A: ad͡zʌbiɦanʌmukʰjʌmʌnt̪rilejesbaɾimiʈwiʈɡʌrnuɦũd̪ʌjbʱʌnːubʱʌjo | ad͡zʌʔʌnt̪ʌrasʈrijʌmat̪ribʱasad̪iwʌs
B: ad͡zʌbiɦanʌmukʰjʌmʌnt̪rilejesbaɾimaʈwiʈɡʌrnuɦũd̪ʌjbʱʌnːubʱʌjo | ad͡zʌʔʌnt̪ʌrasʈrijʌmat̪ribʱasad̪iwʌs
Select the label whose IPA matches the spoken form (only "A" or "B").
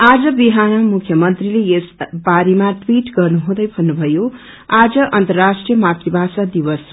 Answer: B